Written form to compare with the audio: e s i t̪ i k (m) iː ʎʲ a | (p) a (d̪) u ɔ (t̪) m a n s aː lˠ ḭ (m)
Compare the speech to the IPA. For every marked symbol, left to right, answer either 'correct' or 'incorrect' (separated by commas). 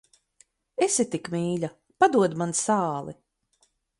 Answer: correct, correct, correct, incorrect, incorrect